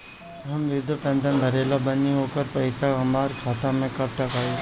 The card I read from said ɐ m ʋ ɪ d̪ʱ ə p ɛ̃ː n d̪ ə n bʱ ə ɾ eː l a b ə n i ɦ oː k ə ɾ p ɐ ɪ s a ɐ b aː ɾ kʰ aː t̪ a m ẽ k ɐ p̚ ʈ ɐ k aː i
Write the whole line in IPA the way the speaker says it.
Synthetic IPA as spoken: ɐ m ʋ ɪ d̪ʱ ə p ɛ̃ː n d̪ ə n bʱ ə ɾ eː l a b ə n i ɦ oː k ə ɾ p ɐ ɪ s a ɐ m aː ɾ kʰ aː t̪ a m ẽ k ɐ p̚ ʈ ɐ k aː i